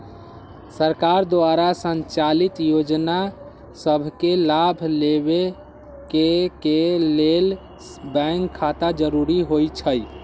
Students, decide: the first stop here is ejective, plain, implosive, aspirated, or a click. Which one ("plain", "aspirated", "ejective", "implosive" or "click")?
plain